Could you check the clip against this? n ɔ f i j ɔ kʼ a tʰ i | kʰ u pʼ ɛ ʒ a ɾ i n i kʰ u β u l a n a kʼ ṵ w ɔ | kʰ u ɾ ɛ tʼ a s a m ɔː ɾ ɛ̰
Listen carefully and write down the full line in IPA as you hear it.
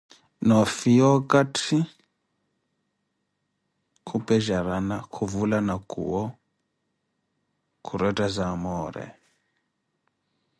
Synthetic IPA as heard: n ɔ f i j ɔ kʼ a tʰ i | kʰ u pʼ ɛ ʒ a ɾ a n a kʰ u v u l a n a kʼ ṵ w ɔ | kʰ u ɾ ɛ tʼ a z a m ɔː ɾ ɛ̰